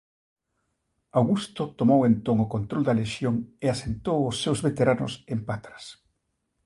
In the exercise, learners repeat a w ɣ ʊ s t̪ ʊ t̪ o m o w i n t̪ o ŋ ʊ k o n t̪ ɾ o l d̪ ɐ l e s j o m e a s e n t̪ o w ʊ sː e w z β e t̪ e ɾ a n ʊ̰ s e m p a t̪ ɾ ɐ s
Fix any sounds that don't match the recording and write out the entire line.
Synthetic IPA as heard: a w ɣ u s t̪ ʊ t̪ o m o w e n t̪ o ŋ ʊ k o n t̪ ɾ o l d̪ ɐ l e ʃ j o ŋ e a s e n t̪ o w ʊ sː e w z β e t̪ e ɾ a n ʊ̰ s e m p a t̪ ɾ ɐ s